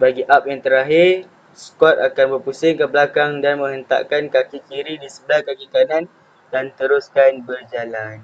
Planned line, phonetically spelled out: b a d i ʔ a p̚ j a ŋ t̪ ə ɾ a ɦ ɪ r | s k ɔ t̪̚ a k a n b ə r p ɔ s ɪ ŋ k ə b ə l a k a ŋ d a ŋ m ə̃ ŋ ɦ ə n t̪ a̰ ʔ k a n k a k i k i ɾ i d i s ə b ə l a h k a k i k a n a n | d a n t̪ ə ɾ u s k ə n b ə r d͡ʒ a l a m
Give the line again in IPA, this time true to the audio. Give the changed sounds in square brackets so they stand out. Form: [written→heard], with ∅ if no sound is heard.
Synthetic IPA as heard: b a [d→ɡ] i ʔ a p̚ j a ŋ t̪ ə ɾ a ɦ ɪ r | s k ɔ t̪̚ a k a n b ə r p [ɔ→u] s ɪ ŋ k ə b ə l a k a ŋ d a [ŋ→n] m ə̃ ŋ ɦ ə n t̪ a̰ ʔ k a n k a k i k i ɾ i d i s ə b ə l a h k a k i k a n a n | d a n t̪ ə ɾ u s k [ə→a] n b ə r d͡ʒ a l a [m→n]